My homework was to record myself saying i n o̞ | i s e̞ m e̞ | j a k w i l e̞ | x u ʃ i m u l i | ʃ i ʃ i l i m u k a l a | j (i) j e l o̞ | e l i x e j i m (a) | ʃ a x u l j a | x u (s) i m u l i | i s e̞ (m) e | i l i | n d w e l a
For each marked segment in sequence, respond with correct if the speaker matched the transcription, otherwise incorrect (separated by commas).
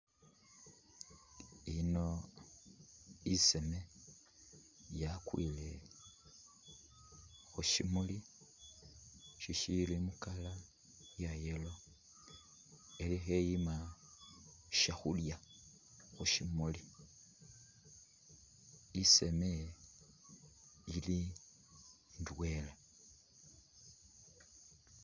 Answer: incorrect, correct, incorrect, correct